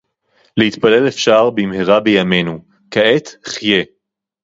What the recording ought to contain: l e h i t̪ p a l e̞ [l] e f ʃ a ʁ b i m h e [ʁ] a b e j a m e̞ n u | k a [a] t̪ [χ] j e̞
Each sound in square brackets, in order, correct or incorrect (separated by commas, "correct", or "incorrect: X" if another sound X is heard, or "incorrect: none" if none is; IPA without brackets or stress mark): correct, correct, incorrect: e, correct